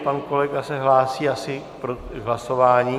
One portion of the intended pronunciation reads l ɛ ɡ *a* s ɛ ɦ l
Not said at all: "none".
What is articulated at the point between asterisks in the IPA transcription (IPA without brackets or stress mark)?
a